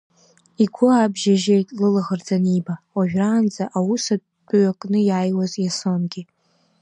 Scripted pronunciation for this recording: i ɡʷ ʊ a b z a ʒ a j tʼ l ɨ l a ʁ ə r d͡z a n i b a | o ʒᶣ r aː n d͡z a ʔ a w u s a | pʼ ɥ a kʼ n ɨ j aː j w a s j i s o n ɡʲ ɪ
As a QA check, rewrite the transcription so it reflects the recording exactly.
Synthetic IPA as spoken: i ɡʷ ʊ a b ʒ a ʒ e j tʼ l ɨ l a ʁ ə r d͡z a n i b a | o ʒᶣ r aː n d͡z a ʔ a w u s a | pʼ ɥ a kʼ n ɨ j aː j w a z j a s o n ɡʲ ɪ